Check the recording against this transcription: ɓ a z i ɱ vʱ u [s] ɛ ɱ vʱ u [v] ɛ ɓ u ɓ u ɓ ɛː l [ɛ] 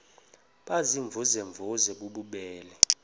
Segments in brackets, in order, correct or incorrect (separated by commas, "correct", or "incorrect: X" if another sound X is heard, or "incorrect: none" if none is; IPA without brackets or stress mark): incorrect: z, incorrect: z, correct